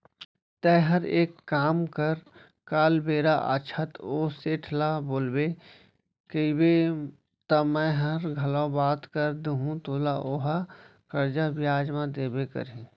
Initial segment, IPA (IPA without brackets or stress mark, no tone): t̪